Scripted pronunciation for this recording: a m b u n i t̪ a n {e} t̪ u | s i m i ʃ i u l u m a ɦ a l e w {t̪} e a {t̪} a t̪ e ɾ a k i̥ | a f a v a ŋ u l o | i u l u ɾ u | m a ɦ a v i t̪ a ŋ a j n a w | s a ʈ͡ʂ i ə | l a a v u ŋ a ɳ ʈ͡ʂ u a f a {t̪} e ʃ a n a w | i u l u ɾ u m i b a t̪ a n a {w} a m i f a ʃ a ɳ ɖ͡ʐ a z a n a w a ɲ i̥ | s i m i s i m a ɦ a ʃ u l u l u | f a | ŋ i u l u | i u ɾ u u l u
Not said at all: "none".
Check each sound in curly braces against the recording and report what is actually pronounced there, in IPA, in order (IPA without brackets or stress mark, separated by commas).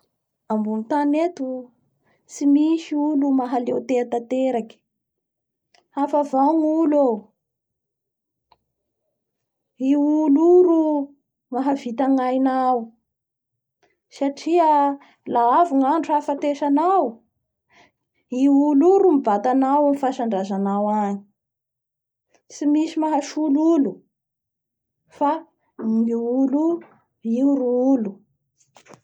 e, t̪, t̪, t̪, w